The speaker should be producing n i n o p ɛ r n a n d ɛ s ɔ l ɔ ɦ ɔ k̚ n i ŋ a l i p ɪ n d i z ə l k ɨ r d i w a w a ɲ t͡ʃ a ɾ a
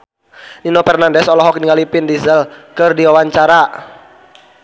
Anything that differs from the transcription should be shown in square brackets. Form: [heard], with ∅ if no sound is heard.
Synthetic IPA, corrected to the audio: n i n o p ɛ r n a n d ɛ s ɔ l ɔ ɦ ɔ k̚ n i ŋ a l i p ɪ n d i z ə l k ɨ r d i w a w a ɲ t͡ʃ a ɾ a